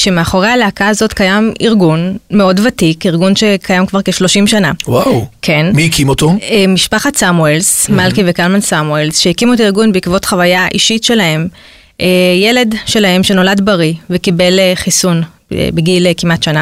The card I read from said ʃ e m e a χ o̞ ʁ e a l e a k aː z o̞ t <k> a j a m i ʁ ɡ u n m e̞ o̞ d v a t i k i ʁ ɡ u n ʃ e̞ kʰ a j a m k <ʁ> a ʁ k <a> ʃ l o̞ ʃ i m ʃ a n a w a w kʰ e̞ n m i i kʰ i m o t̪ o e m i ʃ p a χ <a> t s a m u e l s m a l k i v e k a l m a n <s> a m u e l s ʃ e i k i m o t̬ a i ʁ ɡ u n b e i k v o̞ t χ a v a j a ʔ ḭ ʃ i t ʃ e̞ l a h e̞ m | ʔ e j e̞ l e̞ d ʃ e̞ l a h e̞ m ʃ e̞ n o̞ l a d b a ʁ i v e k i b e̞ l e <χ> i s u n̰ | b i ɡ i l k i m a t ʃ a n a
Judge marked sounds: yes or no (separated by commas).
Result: yes, no, no, yes, yes, yes